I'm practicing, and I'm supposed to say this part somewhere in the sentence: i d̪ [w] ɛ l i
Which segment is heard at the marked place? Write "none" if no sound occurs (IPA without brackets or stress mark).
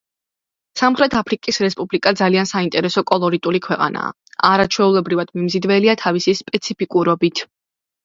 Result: v